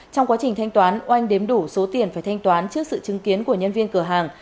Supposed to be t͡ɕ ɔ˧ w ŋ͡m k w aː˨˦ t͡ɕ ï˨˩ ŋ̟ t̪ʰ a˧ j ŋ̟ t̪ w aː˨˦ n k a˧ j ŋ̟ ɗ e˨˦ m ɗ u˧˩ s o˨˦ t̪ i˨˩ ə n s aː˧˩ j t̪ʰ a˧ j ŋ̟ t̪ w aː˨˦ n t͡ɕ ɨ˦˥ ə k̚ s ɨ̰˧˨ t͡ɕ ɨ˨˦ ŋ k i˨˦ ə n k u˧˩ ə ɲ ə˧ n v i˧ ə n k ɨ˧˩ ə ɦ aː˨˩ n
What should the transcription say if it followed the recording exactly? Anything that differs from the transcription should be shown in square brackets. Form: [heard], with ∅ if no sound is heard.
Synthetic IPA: t͡ɕ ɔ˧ w ŋ͡m k w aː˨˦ t͡ɕ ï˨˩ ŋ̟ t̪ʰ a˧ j ŋ̟ t̪ w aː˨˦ n [ʔ] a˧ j ŋ̟ ɗ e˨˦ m ɗ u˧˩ s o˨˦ t̪ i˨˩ ə n [f] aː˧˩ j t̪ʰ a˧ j ŋ̟ t̪ w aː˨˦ n t͡ɕ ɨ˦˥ ə k̚ s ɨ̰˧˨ t͡ɕ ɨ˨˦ ŋ k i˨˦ ə n k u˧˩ ə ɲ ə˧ n v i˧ ə n k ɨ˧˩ ə ɦ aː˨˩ [ŋ]

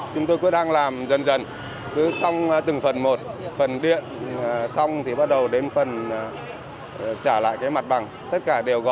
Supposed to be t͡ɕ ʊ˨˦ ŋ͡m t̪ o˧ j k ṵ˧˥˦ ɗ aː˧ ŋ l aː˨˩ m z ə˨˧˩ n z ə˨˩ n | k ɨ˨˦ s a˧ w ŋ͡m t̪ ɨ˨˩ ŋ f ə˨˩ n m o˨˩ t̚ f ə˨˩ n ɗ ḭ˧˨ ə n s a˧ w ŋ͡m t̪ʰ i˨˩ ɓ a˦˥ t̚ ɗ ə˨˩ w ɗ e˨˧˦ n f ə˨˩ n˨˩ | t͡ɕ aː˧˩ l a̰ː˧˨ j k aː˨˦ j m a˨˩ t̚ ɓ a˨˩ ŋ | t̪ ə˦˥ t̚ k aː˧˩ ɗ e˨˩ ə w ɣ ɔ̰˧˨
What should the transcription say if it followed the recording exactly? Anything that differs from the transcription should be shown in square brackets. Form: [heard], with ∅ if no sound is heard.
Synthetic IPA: t͡ɕ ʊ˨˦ ŋ͡m t̪ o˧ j k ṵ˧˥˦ ɗ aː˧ ŋ l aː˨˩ m z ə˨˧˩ n z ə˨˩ n | k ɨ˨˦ s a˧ w ŋ͡m t̪ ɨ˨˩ ŋ f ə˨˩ n m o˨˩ t̚ f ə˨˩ n ɗ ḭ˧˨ ə n s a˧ w ŋ͡m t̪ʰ i˨˩ ɓ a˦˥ t̚ ɗ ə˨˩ w ɗ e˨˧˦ n f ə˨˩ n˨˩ | t͡ɕ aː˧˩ l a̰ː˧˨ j k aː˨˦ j m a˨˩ t̚ ɓ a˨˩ ŋ | t̪ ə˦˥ t̚ k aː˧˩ ɗ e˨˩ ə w ɣ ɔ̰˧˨

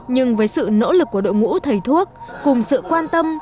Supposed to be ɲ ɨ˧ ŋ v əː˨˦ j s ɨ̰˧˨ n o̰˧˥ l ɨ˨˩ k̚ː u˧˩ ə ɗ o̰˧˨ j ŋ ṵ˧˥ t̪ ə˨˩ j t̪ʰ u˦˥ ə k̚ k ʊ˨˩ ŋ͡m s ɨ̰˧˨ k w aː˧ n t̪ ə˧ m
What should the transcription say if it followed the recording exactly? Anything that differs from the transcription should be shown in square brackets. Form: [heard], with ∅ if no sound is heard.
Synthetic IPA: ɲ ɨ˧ ŋ v əː˨˦ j s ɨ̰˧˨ n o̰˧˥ l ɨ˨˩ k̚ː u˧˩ ə ɗ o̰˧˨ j ŋ ṵ˧˥ [t̪ʰ] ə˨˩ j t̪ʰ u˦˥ ə k̚ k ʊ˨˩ ŋ͡m s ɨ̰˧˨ k w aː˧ n t̪ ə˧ m

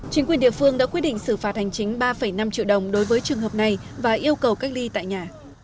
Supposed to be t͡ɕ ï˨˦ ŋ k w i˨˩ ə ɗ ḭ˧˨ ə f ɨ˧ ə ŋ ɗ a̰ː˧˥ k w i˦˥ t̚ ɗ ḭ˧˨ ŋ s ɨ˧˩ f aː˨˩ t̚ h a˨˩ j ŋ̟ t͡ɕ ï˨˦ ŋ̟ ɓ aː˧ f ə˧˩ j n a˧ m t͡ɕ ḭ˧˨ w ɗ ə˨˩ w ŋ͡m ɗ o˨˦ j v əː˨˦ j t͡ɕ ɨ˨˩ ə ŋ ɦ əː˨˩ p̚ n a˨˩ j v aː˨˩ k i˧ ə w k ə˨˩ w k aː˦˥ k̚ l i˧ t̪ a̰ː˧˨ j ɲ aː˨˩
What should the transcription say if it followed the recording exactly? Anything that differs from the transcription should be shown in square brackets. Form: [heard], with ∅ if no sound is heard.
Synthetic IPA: t͡ɕ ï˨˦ ŋ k w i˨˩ ə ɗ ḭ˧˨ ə f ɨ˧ ə ŋ ɗ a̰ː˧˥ k w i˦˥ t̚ ɗ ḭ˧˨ ŋ s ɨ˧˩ f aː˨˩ t̚ h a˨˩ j ŋ̟ t͡ɕ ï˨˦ ŋ̟ ɓ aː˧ f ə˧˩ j n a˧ m t͡ɕ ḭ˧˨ w ɗ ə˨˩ w ŋ͡m ɗ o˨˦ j v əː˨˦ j t͡ɕ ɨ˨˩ ə ŋ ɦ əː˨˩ p̚ n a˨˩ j v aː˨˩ [ʔ] i˧ ə w k ə˨˩ w k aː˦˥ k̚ l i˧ t̪ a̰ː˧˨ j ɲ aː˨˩

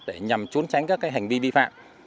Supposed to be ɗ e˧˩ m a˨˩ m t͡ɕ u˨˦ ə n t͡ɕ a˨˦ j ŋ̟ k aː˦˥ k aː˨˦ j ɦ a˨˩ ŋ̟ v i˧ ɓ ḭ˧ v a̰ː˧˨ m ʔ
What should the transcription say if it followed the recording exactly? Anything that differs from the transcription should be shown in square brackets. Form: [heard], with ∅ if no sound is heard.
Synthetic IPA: ɗ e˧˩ [ɲ] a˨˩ m t͡ɕ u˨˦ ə n t͡ɕ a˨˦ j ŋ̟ k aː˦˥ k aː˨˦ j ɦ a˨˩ ŋ̟ v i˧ ɓ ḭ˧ [f] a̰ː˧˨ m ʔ

